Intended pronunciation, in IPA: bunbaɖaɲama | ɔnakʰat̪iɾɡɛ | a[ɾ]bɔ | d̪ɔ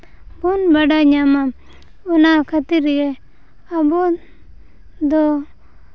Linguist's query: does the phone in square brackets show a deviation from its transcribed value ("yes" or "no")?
yes